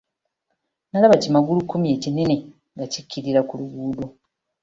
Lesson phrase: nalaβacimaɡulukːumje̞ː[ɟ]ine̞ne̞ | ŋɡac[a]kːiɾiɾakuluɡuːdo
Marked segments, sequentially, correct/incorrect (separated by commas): incorrect, incorrect